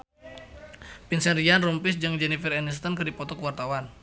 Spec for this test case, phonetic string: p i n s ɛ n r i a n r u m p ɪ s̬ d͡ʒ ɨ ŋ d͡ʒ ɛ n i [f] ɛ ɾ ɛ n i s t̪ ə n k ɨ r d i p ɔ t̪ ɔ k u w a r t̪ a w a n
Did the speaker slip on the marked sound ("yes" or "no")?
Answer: no